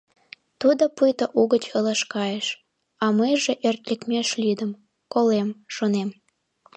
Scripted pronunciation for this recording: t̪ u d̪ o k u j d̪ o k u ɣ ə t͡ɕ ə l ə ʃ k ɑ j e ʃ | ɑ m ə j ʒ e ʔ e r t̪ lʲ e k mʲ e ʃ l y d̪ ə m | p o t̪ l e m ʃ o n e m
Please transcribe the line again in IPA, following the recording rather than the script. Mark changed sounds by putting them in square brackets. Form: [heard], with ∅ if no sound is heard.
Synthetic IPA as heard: t̪ u d̪ o [p] u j [t̪] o [ʔ] u ɣ ə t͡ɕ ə l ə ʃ k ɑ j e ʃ | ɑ m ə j ʒ e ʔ e r t̪ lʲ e k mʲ e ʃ l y d̪ ə m | [k] o [∅] l e m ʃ o n e m

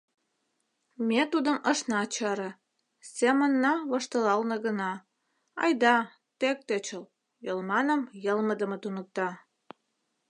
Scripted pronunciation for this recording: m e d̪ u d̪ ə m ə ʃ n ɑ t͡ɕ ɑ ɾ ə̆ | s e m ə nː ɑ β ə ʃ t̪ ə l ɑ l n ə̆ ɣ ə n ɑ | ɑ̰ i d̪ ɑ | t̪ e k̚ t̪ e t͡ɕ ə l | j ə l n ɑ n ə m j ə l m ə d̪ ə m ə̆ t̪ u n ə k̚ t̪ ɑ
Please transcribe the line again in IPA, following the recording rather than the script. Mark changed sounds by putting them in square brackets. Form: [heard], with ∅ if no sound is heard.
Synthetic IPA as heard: m e [t̪] u d̪ ə m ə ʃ n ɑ t͡ɕ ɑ ɾ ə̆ | s e m ə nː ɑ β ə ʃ t̪ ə l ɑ l n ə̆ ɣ ə n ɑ | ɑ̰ [j] d̪ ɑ | t̪ e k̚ t̪ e t͡ɕ ə l | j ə l [m] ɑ n ə m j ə l m ə d̪ ə m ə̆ t̪ u n ə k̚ t̪ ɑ

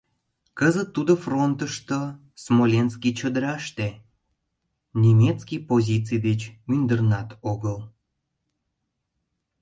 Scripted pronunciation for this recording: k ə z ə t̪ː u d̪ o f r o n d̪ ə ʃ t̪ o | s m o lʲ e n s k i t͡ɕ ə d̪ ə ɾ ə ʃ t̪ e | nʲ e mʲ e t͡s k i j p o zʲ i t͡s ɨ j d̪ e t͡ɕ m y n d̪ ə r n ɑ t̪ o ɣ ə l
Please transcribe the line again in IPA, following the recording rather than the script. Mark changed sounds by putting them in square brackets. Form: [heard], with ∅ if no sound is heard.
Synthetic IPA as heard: k ə z ə t̪ː u d̪ o f r o n [t̪] ə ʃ t̪ o | s m o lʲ e n s k i t͡ɕ ə d̪ ə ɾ [ɑ] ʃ t̪ e | nʲ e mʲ e t͡s k i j p o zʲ i t͡s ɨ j d̪ e t͡ɕ m y n d̪ ə r n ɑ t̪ o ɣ ə l

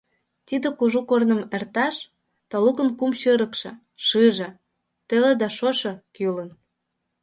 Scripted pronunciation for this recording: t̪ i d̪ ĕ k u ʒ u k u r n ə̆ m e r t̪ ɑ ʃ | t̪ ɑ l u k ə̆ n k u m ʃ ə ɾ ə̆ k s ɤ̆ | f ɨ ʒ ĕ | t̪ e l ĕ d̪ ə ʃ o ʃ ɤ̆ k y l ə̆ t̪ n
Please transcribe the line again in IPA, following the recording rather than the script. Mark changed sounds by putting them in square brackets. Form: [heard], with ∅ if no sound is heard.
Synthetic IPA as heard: t̪ i d̪ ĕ k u ʒ u k [o] r n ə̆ m e r t̪ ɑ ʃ | t̪ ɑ l u k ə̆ n k u m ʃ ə ɾ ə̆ k [ʃ] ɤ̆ | [ʃ] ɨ ʒ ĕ | t̪ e l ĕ d̪ [ɑ] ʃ o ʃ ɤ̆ k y l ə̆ [∅] n

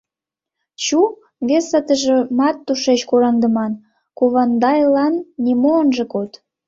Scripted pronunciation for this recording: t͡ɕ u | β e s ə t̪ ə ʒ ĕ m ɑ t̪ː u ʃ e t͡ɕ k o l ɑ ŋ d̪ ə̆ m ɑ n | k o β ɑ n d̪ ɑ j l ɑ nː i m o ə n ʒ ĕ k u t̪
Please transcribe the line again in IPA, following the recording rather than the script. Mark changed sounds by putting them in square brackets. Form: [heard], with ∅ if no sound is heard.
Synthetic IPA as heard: t͡ɕ u | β e s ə t̪ ə ʒ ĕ m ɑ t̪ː u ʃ e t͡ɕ k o [ɾ] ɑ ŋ d̪ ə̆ m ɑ n | k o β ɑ n d̪ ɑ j l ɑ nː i m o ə n ʒ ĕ k [o] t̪

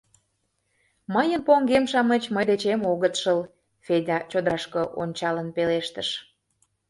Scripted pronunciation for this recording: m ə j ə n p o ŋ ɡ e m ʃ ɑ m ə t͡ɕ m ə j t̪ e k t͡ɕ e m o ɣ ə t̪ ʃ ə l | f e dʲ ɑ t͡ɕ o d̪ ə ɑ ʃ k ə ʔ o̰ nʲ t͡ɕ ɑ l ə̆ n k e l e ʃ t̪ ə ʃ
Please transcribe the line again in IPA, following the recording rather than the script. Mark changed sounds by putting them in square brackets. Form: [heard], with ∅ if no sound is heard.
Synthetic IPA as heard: m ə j ə n p o ŋ ɡ e m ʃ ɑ m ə t͡ɕ m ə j [d̪] e [∅] t͡ɕ e m o ɣ ə t̪ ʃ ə l | f e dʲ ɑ t͡ɕ o d̪ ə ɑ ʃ k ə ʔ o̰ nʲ t͡ɕ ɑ l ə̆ n [p] e l e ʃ t̪ ə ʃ

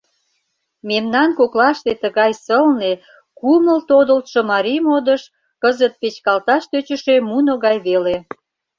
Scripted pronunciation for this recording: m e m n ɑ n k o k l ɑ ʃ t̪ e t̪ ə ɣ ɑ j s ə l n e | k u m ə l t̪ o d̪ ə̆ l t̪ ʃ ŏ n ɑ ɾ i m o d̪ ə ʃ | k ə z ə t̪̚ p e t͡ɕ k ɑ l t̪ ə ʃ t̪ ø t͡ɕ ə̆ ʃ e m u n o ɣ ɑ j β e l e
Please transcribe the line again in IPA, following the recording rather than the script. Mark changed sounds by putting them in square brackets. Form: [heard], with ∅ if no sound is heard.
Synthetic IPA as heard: m e m n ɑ n k o k l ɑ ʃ t̪ e t̪ ə ɣ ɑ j s ə l n e | k u m ə l t̪ o d̪ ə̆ l t̪ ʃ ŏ [m] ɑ ɾ i m o d̪ ə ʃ | k ə z ə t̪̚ p e t͡ɕ k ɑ l t̪ [ɑ] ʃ t̪ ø t͡ɕ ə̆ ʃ e m u n o ɣ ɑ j β e l e

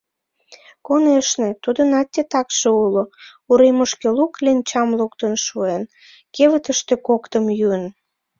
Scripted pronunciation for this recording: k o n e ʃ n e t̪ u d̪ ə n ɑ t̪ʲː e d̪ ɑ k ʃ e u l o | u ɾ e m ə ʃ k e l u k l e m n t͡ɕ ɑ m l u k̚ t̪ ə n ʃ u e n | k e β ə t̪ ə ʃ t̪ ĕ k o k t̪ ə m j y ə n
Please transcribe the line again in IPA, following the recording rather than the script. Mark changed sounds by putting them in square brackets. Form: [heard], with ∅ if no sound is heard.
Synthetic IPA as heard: k o n e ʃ n e t̪ u d̪ ə n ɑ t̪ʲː e [t̪] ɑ k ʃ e u l o | u ɾ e m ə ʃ k e l u k l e [∅] n t͡ɕ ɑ m l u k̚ t̪ ə n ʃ u e n | k e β ə t̪ ə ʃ t̪ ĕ k o k t̪ ə m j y ə n

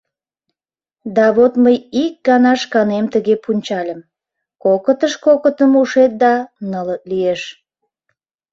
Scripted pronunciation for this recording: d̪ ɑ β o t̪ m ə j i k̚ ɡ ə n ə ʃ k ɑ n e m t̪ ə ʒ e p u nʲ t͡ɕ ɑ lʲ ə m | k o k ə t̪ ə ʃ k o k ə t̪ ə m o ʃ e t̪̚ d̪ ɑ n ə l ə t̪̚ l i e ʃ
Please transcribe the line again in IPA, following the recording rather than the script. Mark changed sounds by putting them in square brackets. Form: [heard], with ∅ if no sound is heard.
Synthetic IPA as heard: d̪ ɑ β o t̪ m ə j i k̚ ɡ [ɑ] n [ɑ] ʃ k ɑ n e m t̪ ə [ɣ] e p u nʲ t͡ɕ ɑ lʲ ə m | k o k ə t̪ ə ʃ k o k ə t̪ ə m [u] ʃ e t̪̚ d̪ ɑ n ə l ə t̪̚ l i e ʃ

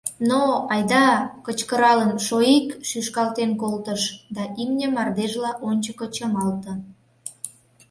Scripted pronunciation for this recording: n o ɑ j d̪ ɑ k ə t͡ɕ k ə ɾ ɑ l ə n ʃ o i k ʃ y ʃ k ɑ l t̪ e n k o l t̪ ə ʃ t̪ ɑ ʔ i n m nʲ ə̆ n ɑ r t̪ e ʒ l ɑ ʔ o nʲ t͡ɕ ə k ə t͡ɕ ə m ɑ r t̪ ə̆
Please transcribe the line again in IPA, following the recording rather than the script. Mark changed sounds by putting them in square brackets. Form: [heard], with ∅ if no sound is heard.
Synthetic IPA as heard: n o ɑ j d̪ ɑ k ə t͡ɕ k ə ɾ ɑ l ə n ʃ o i k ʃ y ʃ k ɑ l t̪ e n k o l t̪ ə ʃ [d̪] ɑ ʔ i [∅] m nʲ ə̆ [m] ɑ r [d̪] e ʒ l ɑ ʔ o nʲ t͡ɕ ə k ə t͡ɕ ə m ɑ [l] t̪ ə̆

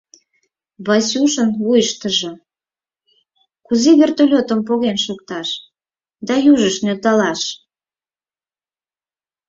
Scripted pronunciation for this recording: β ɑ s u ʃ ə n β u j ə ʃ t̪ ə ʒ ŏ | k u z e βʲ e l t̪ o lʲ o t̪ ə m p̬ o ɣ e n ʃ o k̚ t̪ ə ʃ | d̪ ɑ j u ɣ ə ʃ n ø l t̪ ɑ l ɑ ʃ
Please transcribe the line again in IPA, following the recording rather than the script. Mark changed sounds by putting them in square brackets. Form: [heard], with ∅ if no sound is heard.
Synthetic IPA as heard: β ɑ s u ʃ ə n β u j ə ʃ t̪ ə ʒ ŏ | k u z e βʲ e [r] t̪ o lʲ o t̪ ə m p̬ o ɣ e n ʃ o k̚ t̪ [ɑ] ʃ | d̪ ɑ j u [ʒ] ə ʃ n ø l t̪ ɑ l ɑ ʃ

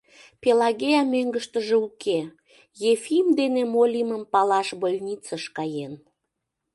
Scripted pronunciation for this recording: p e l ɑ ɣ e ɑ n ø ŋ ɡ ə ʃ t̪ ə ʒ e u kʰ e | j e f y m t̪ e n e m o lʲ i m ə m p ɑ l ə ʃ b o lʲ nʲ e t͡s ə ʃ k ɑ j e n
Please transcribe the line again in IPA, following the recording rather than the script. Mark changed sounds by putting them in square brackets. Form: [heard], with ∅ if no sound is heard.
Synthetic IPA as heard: p e l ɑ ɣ e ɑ [m] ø ŋ ɡ ə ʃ t̪ ə ʒ e u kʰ e | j e f [i] m [d̪] e n e m o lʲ i m ə m p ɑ l [ɑ] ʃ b o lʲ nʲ [i] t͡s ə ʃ k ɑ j e n

